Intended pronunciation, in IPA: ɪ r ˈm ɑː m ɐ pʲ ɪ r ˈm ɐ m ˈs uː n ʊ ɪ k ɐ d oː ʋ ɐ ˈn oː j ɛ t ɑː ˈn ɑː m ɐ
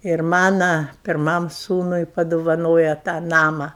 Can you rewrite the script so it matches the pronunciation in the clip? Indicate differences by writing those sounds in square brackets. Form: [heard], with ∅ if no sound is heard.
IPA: ɪ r ˈm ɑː [n] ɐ pʲ ɪ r ˈm ɐ m ˈs uː n ʊ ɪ [p] ɐ d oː ʋ ɐ ˈn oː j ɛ t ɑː ˈn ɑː m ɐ